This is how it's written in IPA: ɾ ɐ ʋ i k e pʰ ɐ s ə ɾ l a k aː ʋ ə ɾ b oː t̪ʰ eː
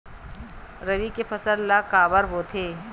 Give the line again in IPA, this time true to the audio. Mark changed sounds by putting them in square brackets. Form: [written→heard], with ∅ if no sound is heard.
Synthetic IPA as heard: ɾ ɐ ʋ i k e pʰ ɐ s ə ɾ l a k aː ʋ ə ɾ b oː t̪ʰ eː